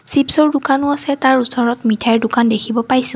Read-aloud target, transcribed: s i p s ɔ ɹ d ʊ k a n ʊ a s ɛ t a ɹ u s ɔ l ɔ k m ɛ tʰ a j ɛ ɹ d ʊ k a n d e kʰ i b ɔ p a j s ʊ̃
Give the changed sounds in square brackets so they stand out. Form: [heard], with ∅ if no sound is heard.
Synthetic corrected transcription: s i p s ɔ ɹ d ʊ k a n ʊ a s ɛ t a ɹ u s ɔ [ɹ] ɔ [t] m [i] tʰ a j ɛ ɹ d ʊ k a n d e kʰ i b ɔ p a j s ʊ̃